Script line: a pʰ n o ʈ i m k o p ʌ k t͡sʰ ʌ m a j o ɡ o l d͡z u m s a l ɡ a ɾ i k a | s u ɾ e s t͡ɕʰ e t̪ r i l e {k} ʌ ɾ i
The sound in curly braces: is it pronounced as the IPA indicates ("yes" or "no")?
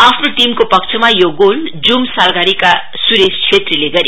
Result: no